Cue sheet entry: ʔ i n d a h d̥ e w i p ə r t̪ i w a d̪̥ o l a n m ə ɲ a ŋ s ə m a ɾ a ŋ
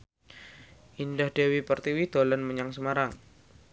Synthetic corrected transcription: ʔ i n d a h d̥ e w i p ə r t̪ i w i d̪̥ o l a n m ə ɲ a ŋ s ə m a ɾ a ŋ